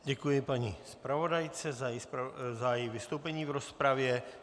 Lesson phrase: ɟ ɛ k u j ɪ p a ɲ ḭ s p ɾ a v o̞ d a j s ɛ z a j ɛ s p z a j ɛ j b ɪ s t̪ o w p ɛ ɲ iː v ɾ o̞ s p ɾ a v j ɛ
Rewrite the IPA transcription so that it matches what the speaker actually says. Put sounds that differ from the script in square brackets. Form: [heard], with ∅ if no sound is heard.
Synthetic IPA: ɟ ɛ k u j ɪ p a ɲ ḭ s p ɾ a v o̞ d a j [t͡s] ɛ z a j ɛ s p z a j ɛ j [v] ɪ s t̪ o w p ɛ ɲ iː v ɾ o̞ s p ɾ a v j ɛ